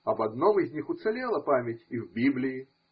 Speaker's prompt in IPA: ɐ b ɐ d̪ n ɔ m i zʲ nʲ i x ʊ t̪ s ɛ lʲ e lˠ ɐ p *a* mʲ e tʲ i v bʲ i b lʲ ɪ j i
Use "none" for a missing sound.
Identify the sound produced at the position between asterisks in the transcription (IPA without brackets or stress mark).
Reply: a